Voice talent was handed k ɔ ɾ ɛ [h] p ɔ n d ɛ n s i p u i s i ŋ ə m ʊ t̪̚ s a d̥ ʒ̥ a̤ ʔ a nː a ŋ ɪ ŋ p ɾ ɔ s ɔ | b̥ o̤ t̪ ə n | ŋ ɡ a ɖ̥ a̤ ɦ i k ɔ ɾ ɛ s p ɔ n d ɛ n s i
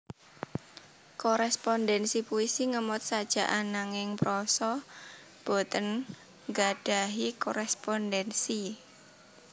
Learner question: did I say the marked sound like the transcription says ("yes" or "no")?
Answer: no